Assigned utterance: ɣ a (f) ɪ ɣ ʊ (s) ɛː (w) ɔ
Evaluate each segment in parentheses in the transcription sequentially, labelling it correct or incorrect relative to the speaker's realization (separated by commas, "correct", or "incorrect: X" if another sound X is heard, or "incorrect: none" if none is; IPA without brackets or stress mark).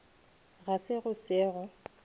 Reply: incorrect: s, correct, incorrect: ɣ